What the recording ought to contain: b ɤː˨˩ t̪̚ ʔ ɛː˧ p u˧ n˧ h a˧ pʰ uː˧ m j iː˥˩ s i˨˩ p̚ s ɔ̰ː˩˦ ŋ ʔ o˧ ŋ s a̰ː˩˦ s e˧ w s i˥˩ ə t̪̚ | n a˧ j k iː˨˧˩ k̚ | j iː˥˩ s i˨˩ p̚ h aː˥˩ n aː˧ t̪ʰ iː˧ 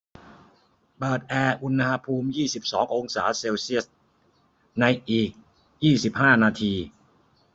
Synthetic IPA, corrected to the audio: b ɤː˨˩ t̪̚ ʔ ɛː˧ ʔ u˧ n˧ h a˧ pʰ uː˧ m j iː˥˩ s i˨˩ p̚ s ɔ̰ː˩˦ ŋ ʔ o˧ ŋ s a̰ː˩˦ s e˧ w s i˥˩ ə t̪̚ | n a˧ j ʔ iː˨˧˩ k̚ | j iː˥˩ s i˨˩ p̚ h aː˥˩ n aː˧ t̪ʰ iː˧